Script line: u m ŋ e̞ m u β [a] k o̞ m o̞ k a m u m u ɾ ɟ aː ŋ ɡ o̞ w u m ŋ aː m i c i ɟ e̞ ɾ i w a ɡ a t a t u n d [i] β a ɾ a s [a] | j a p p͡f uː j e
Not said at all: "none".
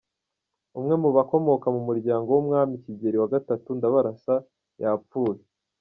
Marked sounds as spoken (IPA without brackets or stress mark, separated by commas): a, a, a